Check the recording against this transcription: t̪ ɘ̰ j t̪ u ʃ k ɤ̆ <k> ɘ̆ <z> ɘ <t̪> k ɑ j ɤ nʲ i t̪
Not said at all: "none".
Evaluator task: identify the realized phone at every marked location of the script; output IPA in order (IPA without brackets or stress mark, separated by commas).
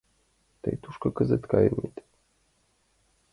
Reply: k, z, t̪